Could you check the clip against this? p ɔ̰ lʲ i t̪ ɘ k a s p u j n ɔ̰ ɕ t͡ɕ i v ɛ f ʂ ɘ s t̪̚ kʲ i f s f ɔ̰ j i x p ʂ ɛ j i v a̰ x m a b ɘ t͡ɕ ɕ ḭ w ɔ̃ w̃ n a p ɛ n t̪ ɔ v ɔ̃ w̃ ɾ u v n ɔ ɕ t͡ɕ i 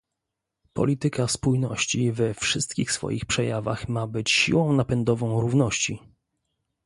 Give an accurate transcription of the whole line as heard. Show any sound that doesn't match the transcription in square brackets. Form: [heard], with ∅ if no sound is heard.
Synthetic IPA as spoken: p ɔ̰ lʲ i t̪ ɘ k a s p u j n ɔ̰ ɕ t͡ɕ i v ɛ f ʂ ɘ s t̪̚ kʲ i [x] s f ɔ̰ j i x p ʂ ɛ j [a] v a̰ x m a b ɘ t͡ɕ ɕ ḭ w ɔ̃ w̃ n a p ɛ n [d̪] ɔ v ɔ̃ w̃ ɾ u v n ɔ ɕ t͡ɕ i

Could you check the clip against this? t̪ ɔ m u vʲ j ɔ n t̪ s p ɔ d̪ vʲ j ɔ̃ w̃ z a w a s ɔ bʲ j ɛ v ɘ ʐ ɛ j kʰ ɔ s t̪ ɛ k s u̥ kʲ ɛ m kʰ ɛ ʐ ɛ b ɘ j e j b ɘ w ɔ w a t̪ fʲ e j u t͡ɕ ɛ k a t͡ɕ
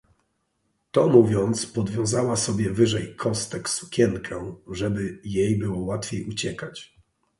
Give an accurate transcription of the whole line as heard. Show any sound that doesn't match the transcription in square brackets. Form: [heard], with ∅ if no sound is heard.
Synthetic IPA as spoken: t̪ ɔ m u vʲ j ɔ n t̪ s p ɔ d̪ vʲ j ɔ̃ w̃ z a w a s ɔ bʲ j ɛ v ɘ ʐ ɛ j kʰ ɔ s t̪ ɛ k s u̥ kʲ ɛ [ŋ] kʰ ɛ ʐ ɛ b ɘ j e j b ɘ w ɔ w a t̪ fʲ e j u t͡ɕ ɛ k a t͡ɕ

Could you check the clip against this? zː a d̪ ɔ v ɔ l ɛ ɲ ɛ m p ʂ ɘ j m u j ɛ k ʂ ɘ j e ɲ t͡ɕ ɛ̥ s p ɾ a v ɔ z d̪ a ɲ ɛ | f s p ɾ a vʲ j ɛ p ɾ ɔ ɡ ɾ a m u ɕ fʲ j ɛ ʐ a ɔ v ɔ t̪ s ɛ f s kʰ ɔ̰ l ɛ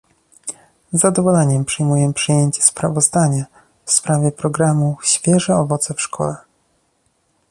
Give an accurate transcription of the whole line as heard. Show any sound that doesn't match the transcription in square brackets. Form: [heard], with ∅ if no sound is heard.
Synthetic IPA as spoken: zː a d̪ ɔ v ɔ l ɛ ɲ ɛ m p ʂ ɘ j m u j ɛ [p] ʂ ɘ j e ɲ t͡ɕ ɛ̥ s p ɾ a v ɔ z d̪ a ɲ [a] | f s p ɾ a vʲ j ɛ p ɾ ɔ ɡ ɾ a m u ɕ fʲ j ɛ ʐ [ɛ] ɔ v ɔ t̪ s ɛ f [ʂ] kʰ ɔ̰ l ɛ

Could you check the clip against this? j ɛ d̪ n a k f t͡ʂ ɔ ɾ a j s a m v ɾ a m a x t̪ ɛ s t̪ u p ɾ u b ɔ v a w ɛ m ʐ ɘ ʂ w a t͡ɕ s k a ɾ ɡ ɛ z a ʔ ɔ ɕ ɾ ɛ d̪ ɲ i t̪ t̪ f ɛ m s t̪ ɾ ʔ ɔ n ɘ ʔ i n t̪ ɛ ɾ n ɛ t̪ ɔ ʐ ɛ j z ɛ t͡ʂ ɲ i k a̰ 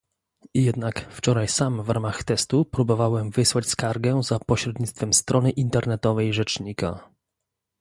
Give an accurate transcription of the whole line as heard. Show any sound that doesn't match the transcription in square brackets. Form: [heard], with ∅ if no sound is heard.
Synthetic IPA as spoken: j ɛ d̪ n a k f t͡ʂ ɔ ɾ a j s a m v ɾ a m a x t̪ ɛ s t̪ u p ɾ u b ɔ v a w ɛ m [v] ɘ [s] w a t͡ɕ s k a ɾ ɡ ɛ z a [p] ɔ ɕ ɾ ɛ d̪ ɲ i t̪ t̪ f ɛ m s t̪ ɾ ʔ ɔ n ɘ ʔ i n t̪ ɛ ɾ n ɛ t̪ ɔ [v] ɛ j [ʐ] ɛ t͡ʂ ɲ i k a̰

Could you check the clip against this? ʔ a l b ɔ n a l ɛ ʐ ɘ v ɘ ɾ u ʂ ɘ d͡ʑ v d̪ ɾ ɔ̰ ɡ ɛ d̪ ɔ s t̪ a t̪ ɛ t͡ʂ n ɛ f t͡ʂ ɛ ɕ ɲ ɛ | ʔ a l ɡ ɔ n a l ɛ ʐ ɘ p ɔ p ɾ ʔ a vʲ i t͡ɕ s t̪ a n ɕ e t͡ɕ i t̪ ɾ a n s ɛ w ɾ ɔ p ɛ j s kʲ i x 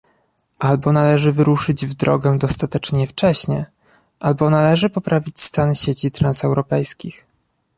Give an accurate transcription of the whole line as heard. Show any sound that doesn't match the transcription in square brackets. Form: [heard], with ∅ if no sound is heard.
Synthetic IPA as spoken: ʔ a l b ɔ n a l ɛ ʐ ɘ v ɘ ɾ u ʂ ɘ d͡ʑ v d̪ ɾ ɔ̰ ɡ ɛ d̪ ɔ s t̪ a t̪ ɛ t͡ʂ [ɲ] ɛ f t͡ʂ ɛ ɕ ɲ ɛ | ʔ a l [b] ɔ n a l ɛ ʐ ɘ p ɔ p ɾ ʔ a vʲ i t͡ɕ s t̪ a n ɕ e t͡ɕ i t̪ ɾ a n s ɛ w ɾ ɔ p ɛ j s kʲ i x

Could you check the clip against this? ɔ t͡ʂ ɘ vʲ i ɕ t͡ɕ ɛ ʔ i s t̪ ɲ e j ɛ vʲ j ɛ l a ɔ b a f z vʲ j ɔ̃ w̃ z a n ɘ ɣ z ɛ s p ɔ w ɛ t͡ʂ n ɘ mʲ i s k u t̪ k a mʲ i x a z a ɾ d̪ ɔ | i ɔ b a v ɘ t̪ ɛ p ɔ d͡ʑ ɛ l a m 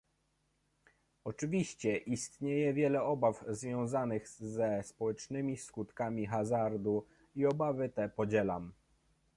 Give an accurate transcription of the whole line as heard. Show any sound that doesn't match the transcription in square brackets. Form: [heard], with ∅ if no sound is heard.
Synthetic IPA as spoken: ɔ t͡ʂ ɘ vʲ i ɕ t͡ɕ ɛ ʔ i s t̪ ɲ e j ɛ vʲ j ɛ l [ɛ] ɔ b a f z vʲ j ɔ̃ w̃ z a n ɘ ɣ z ɛ s p ɔ w ɛ t͡ʂ n ɘ mʲ i s k u t̪ k a mʲ i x a z a ɾ d̪ [u] | i ɔ b a v ɘ t̪ ɛ p ɔ d͡ʑ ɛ l a m

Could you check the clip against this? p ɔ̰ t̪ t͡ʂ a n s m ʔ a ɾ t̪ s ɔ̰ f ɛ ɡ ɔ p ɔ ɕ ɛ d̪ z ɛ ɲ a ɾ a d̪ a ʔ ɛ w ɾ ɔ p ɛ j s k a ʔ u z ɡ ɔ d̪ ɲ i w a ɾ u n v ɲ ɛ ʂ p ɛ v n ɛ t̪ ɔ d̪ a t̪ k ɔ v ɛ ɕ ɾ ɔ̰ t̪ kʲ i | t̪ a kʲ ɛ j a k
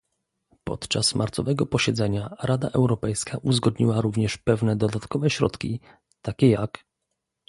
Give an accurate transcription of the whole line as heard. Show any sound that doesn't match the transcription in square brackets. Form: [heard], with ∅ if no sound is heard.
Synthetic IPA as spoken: p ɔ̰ t̪ t͡ʂ a [∅] s m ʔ a ɾ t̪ s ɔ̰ [v] ɛ ɡ ɔ p ɔ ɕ ɛ d̪ z ɛ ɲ a ɾ a d̪ a ʔ ɛ w ɾ ɔ p ɛ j s k a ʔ u z ɡ ɔ d̪ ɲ i w a ɾ u [∅] v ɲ ɛ ʂ p ɛ v n ɛ [d̪] ɔ d̪ a t̪ k ɔ v ɛ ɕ ɾ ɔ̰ t̪ kʲ i | t̪ a kʲ ɛ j a k

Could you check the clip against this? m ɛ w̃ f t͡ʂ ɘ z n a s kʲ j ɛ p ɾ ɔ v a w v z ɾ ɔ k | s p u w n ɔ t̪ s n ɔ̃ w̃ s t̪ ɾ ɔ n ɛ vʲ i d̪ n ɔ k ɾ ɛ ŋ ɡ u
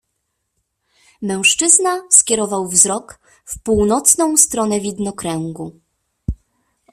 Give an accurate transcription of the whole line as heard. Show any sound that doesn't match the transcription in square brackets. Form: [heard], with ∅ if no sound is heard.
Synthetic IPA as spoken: m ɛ w̃ [ʂ] t͡ʂ ɘ z n a s kʲ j ɛ [∅] ɾ ɔ v a w v z ɾ ɔ k | [f] p u w n ɔ t̪ s n ɔ̃ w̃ s t̪ ɾ ɔ n ɛ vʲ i d̪ n ɔ k ɾ ɛ ŋ ɡ u

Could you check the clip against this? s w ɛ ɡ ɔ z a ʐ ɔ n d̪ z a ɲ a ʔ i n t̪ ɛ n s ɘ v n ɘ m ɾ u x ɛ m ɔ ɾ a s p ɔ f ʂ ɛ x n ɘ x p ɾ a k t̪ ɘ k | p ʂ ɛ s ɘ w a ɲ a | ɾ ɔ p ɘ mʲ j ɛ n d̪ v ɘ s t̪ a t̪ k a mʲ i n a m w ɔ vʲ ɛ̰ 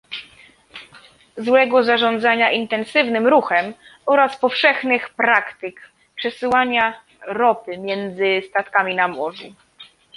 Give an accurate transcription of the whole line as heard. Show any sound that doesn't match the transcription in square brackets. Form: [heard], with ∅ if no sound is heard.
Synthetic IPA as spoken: [z] w ɛ ɡ ɔ z a ʐ ɔ n d̪ z a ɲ a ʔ i n t̪ ɛ n s ɘ v n ɘ m ɾ u x ɛ m ɔ ɾ a s p ɔ f ʂ ɛ x n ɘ x p ɾ a k t̪ ɘ k | p ʂ ɛ s ɘ w a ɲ a | ɾ ɔ p ɘ mʲ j ɛ n d̪ [z] ɘ s t̪ a t̪ k a mʲ i n a m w ɔ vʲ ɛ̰

